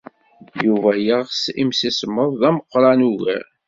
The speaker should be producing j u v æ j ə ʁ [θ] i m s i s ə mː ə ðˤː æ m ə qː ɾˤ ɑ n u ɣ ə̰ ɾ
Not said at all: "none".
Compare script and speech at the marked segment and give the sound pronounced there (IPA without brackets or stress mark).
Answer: s